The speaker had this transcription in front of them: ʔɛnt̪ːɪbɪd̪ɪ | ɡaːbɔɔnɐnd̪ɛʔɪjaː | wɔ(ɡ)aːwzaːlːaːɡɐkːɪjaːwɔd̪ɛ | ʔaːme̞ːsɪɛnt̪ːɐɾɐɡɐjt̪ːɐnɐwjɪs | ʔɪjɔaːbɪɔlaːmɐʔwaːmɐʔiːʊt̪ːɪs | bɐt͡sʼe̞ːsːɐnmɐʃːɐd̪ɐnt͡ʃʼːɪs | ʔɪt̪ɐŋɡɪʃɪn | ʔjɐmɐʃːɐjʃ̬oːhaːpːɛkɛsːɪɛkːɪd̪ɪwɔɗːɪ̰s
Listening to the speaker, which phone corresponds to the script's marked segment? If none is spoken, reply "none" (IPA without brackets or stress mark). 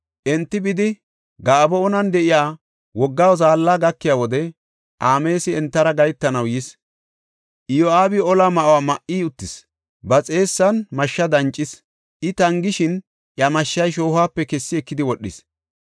ɡː